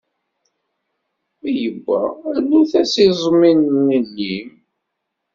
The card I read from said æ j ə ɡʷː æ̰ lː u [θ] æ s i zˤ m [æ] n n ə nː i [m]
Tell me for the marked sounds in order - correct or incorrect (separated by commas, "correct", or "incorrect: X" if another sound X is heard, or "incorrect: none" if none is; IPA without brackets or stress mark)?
correct, incorrect: i, correct